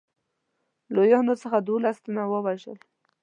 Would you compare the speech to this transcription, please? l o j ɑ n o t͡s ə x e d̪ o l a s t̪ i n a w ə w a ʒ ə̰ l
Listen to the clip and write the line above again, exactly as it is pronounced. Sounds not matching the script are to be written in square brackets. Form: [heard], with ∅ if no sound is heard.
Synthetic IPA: l o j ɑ n o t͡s ə x [a] d̪ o l a s t̪ [a] n a w ə w a ʒ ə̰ l